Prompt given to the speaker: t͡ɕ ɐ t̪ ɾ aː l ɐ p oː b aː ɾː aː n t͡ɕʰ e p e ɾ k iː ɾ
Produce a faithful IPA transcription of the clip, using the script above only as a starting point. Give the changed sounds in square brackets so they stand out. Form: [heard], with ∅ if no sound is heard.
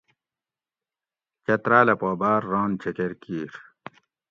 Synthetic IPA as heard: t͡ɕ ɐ t̪ ɾ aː l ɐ p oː b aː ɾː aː n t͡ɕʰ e [k] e ɾ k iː ɾ